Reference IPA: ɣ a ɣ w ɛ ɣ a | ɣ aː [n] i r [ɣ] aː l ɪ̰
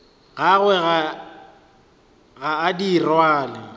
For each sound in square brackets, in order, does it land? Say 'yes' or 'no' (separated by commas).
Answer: no, no